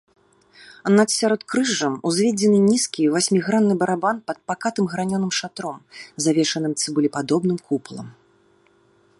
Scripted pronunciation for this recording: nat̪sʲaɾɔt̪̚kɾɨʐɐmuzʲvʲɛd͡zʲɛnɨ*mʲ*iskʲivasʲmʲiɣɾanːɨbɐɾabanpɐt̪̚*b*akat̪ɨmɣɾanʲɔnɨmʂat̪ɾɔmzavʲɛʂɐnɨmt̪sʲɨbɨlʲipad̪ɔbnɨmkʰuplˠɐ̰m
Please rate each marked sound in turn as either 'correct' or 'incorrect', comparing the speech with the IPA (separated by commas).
incorrect, incorrect